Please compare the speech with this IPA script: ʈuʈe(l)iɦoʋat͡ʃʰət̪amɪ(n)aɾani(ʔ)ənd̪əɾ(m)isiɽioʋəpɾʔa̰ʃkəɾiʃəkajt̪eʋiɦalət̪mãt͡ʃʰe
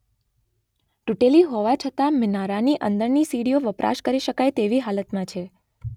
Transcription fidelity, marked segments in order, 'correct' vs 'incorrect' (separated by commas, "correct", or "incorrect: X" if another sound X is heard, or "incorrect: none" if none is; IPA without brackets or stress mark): correct, correct, correct, incorrect: n